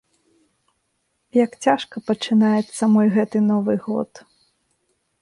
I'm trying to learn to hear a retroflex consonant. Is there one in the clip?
yes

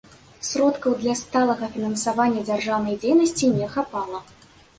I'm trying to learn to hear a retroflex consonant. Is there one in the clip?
yes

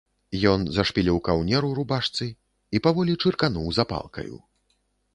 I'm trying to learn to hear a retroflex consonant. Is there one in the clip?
yes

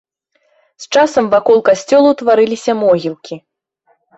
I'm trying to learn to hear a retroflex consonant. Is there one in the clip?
yes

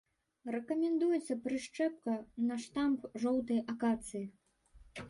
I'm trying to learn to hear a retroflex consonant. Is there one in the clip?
yes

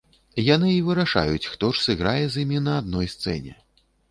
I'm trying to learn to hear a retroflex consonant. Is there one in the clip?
yes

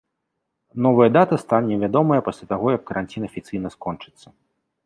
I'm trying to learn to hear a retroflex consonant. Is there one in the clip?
yes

